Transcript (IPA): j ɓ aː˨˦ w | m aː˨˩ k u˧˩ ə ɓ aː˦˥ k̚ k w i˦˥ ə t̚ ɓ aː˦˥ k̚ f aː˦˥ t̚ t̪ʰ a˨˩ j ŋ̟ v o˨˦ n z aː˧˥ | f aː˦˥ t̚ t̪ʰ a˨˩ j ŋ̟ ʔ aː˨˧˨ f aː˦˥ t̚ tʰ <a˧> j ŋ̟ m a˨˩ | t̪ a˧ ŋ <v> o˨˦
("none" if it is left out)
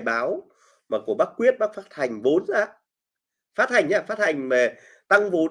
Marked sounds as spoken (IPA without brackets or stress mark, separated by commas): a˨˩, v